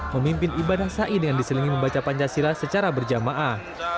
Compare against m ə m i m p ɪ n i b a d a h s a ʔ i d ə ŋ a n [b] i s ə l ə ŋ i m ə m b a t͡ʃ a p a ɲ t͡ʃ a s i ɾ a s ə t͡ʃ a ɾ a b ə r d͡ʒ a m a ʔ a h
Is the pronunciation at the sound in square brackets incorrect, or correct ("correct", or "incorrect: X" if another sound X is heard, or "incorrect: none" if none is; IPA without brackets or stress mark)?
incorrect: d